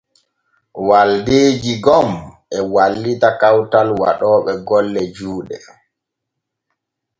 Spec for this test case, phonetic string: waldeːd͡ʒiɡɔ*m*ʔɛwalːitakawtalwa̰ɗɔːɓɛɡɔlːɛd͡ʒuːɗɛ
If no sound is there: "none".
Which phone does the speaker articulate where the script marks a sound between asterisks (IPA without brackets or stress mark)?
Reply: m